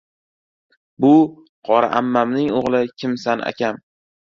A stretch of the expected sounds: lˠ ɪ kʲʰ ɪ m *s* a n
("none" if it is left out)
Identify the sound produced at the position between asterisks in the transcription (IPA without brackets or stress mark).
s